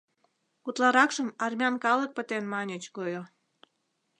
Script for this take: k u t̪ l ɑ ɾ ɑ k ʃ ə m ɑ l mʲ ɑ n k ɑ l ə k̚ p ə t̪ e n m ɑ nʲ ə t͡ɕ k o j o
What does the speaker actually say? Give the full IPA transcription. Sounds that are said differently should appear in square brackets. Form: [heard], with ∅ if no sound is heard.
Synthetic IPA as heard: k u t̪ l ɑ ɾ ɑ k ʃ ə m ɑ [r] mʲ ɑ n k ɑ l ə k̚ p ə t̪ e n m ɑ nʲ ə t͡ɕ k o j o

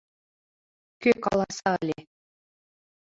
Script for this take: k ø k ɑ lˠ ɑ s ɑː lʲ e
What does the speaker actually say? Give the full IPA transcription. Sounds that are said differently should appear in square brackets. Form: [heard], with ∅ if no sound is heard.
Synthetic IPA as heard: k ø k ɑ lˠ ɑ s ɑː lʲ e

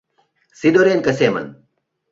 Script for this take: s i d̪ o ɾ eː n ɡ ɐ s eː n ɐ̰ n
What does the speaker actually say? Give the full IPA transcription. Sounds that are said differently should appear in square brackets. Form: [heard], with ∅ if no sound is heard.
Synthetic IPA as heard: s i d̪ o ɾ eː n [k] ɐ s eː [m] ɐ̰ n

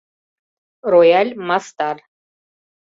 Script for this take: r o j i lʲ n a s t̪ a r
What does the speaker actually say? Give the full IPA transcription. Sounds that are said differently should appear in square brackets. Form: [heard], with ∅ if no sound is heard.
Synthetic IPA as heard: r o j [a] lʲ [m] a s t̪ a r

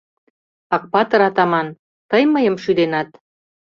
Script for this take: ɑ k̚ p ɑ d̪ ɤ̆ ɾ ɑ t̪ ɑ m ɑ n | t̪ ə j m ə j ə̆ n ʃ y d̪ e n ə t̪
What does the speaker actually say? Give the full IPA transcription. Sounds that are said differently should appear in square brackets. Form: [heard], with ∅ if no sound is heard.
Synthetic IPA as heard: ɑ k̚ p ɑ [t̪] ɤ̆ ɾ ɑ t̪ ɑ m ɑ n | t̪ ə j m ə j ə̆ [m] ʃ y d̪ e n [ɑ] t̪

